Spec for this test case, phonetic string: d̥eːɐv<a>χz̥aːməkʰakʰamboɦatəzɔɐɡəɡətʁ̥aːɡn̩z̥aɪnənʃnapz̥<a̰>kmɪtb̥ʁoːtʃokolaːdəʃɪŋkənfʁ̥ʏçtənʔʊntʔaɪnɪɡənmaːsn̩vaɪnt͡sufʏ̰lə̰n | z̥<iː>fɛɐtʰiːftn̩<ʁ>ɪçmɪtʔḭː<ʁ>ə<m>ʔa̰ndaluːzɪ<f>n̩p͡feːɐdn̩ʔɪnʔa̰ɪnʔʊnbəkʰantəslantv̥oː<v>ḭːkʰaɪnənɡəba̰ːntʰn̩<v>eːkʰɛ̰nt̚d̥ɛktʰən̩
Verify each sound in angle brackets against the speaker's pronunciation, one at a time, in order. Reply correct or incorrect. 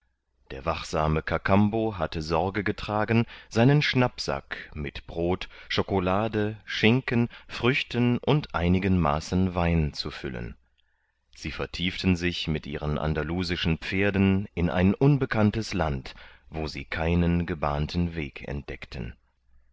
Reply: correct, correct, correct, incorrect, correct, incorrect, incorrect, incorrect, correct

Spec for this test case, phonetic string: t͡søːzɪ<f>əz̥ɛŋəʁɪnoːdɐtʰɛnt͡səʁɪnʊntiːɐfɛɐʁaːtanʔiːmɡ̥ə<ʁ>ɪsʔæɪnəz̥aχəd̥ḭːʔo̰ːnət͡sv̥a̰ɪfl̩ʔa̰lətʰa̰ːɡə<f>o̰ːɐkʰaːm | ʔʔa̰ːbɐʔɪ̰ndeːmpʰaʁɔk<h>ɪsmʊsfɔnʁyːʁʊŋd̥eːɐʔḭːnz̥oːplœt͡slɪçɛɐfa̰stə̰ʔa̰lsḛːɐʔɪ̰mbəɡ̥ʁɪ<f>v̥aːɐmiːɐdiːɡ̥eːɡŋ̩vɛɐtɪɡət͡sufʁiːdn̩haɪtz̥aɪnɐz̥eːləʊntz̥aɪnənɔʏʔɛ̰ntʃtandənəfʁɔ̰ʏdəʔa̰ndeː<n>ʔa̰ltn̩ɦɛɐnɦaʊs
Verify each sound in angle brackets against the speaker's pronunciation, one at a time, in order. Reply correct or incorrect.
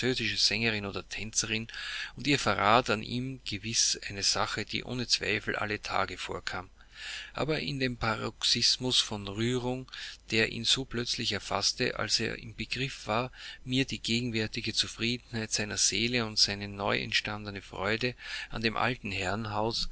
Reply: incorrect, incorrect, correct, incorrect, correct, incorrect

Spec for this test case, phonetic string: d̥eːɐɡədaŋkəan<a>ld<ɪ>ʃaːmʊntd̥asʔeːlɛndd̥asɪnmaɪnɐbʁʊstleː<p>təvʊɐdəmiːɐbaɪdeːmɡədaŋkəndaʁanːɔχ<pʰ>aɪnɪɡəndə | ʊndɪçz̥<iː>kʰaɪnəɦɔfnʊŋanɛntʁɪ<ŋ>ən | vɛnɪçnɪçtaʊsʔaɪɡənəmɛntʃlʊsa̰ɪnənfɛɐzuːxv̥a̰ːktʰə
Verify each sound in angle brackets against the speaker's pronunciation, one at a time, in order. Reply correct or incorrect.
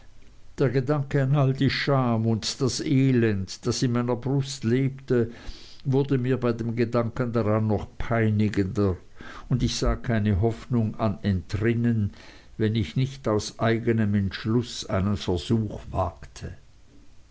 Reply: correct, incorrect, correct, correct, incorrect, incorrect

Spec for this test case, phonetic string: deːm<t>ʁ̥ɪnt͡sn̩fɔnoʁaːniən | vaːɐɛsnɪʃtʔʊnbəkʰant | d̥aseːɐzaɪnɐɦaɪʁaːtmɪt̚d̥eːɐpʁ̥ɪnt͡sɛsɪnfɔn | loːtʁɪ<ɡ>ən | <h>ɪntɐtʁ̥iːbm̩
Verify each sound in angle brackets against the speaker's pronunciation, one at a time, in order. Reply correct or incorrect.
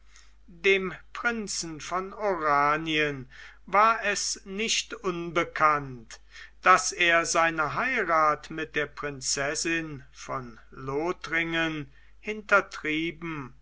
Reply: incorrect, incorrect, correct

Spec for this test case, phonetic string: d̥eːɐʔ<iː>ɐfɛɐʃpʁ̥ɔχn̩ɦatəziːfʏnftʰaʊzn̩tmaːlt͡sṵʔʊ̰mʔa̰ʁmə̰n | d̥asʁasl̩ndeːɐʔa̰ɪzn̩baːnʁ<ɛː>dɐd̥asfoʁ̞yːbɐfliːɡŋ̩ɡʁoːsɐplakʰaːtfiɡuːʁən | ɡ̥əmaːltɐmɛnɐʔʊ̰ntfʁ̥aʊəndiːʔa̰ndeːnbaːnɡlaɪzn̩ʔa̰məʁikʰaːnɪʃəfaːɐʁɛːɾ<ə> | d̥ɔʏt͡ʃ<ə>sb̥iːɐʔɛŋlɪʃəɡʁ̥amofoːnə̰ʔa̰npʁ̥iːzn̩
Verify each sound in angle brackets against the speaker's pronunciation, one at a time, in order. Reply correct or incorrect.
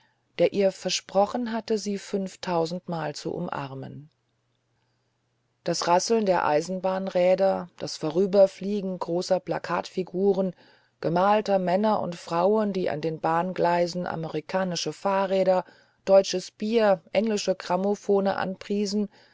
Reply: correct, correct, incorrect, correct

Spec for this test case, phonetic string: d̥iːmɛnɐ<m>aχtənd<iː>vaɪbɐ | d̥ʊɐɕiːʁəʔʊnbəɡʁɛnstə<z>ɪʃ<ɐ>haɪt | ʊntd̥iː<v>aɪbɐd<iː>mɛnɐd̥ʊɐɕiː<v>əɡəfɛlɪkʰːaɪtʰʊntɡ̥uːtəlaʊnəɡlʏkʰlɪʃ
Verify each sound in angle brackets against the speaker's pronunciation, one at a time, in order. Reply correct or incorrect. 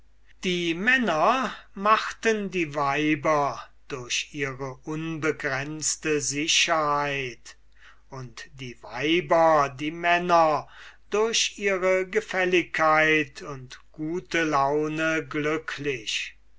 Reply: correct, correct, correct, correct, correct, correct, incorrect

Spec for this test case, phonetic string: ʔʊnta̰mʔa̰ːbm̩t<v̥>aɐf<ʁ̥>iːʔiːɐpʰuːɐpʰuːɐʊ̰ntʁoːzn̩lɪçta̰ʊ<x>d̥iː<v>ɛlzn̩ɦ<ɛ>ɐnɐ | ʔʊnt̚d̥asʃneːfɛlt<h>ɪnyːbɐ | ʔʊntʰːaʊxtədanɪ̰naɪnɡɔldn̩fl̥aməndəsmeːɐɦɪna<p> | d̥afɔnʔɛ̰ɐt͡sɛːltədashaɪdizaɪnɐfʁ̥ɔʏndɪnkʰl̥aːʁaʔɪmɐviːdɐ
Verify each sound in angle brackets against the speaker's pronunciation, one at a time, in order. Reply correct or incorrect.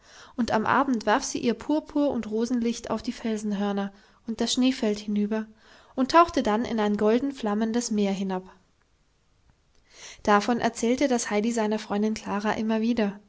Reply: correct, incorrect, incorrect, incorrect, incorrect, correct, correct

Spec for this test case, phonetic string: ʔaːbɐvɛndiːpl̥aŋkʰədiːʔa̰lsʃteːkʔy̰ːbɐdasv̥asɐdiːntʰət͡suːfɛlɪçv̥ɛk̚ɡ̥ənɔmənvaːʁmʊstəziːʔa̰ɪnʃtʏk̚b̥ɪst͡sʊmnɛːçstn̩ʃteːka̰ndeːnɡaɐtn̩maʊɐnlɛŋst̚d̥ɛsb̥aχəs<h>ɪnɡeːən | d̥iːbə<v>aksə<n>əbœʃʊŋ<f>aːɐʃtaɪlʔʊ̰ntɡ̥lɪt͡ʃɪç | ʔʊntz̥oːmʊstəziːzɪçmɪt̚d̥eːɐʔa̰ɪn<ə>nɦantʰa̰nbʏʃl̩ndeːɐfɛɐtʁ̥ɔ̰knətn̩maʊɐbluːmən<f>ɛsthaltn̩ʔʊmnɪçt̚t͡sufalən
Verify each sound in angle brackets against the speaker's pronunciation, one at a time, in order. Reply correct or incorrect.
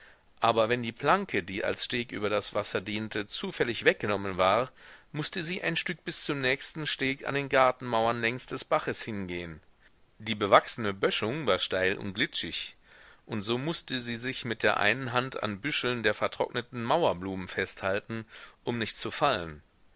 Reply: correct, correct, correct, incorrect, correct, correct

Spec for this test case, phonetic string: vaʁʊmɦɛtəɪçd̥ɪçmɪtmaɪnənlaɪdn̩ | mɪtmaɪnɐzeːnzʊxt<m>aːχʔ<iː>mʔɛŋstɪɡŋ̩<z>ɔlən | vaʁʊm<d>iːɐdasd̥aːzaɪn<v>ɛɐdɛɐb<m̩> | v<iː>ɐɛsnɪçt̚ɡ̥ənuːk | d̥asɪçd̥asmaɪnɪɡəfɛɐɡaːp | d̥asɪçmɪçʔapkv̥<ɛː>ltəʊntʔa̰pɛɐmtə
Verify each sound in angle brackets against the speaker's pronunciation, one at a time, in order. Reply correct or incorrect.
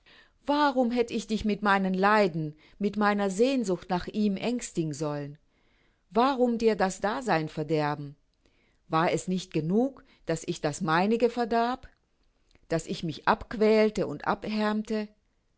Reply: incorrect, correct, correct, correct, incorrect, correct, incorrect, correct

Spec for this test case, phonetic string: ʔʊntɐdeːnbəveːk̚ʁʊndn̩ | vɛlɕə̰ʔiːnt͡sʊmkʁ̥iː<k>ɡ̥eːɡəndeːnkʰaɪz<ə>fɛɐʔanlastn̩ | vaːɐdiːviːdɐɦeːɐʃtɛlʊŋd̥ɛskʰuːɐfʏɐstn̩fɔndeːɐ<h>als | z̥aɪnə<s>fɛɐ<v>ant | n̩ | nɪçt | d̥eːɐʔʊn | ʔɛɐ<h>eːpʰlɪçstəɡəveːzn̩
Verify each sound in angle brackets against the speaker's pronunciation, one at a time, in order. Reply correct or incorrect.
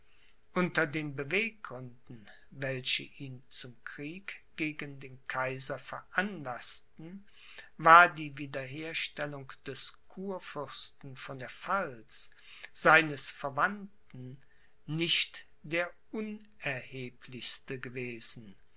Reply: correct, incorrect, incorrect, correct, correct, correct

